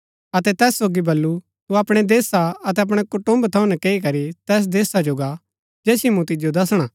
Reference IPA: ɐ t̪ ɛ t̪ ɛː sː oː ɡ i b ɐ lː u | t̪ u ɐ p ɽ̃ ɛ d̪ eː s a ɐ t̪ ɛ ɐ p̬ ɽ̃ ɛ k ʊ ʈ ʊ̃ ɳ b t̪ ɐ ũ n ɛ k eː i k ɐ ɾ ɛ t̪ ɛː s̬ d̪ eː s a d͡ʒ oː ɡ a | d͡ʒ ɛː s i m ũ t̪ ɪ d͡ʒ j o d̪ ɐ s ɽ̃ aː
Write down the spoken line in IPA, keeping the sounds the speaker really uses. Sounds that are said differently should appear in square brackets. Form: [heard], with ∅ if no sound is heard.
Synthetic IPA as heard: ɐ t̪ ɛ t̪ ɛː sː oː ɡ i b ɐ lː u | t̪ u ɐ p ɽ̃ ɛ d̪ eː s a ɐ t̪ ɛ ɐ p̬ ɽ̃ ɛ k ʊ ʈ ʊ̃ [m] b [t̪ʰ] ɐ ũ n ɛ k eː i k ɐ ɾ [i] t̪ ɛː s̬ d̪ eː s a d͡ʒ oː ɡ a | d͡ʒ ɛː s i m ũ t̪ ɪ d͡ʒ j o d̪ ɐ s ɽ̃ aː